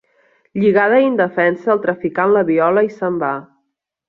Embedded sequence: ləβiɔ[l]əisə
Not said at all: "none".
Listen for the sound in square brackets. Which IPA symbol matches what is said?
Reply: l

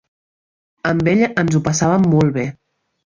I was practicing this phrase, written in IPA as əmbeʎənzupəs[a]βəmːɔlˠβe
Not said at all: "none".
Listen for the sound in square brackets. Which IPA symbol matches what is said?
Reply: a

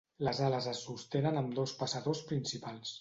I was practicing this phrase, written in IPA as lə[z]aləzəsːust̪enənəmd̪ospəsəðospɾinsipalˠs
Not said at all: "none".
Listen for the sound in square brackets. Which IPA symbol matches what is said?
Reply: z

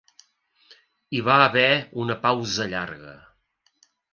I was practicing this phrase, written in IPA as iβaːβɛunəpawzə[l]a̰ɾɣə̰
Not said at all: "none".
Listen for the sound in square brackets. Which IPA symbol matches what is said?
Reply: ʎ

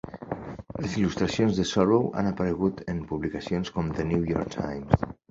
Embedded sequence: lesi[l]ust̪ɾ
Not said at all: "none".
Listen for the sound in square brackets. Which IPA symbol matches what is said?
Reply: l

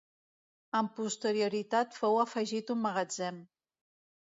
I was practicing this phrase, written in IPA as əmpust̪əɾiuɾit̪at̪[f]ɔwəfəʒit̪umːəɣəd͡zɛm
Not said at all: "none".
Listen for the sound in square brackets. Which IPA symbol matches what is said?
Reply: f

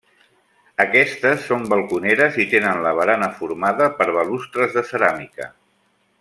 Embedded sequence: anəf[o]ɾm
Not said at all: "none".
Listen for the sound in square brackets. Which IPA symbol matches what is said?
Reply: u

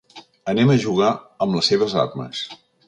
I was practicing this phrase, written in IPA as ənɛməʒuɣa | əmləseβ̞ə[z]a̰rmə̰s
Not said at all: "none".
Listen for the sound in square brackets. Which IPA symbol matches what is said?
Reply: z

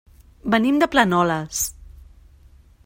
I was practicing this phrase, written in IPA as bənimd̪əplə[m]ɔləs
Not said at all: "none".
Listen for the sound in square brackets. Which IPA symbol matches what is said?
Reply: n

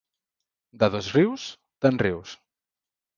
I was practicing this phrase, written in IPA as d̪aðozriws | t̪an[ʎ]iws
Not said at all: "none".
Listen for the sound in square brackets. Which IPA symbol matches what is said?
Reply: r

